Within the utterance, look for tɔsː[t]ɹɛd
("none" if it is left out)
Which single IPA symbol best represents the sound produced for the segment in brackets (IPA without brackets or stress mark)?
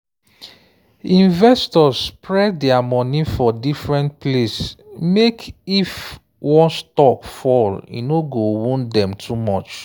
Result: p